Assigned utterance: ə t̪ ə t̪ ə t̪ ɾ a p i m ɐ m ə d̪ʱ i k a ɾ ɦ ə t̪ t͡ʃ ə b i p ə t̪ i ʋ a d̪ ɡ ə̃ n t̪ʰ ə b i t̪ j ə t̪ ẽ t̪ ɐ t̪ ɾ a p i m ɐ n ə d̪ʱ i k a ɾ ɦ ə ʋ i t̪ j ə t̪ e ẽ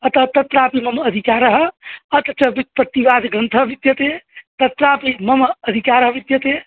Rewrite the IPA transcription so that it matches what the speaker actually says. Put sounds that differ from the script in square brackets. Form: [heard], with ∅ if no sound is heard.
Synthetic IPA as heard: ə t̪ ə t̪ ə t̪ ɾ a p i m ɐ m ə d̪ʱ i k a ɾ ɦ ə t̪ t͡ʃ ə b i p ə t̪ i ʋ a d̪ ɡ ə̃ n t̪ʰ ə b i t̪ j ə t̪ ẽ t̪ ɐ t̪ ɾ a p i m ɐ [m] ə d̪ʱ i k a ɾ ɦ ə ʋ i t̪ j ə t̪ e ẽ